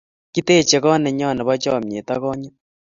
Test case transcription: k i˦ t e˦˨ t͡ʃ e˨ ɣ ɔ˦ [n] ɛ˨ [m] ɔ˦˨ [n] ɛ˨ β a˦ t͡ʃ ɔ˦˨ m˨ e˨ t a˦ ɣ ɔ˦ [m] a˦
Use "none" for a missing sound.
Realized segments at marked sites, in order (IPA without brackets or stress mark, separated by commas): n, ɲ, n, ɲ